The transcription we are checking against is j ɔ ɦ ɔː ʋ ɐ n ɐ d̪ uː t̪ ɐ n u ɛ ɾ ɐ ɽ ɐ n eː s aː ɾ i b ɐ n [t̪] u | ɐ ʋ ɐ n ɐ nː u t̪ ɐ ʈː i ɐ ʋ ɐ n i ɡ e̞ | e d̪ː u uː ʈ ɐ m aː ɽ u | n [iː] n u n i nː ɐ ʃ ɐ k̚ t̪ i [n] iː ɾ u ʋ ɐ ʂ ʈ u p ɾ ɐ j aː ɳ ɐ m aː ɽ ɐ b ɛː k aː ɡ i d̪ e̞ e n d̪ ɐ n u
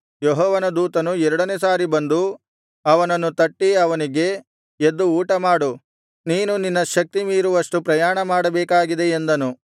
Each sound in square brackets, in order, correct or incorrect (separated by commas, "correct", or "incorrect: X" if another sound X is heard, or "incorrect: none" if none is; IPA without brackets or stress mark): incorrect: d̪, correct, incorrect: m